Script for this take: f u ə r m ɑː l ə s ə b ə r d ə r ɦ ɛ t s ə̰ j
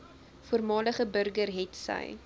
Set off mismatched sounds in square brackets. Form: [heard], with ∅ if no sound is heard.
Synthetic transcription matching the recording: f u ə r m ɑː l ə [χ] ə b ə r [ɡ] ə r ɦ ɛ t s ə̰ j